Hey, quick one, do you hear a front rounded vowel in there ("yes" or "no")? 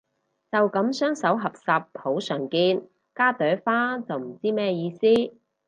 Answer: yes